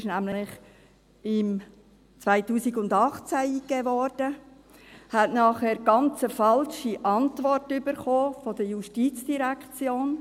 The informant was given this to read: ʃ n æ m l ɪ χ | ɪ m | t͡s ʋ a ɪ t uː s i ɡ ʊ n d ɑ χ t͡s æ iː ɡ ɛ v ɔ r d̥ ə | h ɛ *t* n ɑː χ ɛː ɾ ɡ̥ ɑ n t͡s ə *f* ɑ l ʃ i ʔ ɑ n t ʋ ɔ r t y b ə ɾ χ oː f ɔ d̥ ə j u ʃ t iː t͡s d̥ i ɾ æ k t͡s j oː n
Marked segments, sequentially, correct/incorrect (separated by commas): correct, correct